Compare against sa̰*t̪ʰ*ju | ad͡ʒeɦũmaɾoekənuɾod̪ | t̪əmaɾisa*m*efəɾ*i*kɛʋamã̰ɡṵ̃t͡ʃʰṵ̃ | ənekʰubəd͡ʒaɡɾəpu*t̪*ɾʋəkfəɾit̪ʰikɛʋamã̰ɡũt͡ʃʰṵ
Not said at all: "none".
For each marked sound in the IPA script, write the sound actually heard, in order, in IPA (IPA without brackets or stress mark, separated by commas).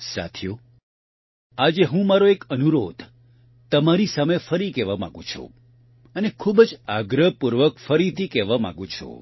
t̪ʰ, m, i, none